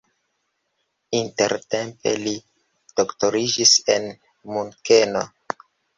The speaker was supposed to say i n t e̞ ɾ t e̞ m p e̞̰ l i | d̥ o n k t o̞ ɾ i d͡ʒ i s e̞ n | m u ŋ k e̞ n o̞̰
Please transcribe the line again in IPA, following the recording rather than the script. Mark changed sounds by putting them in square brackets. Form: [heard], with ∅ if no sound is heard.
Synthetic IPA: i n t e̞ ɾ t e̞ m p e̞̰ l i | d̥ o [∅] k t o̞ ɾ i d͡ʒ i s e̞ n | m u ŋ k e̞ n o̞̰